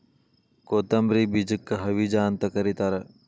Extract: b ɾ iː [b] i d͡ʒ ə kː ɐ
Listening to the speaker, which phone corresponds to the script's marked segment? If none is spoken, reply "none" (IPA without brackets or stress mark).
b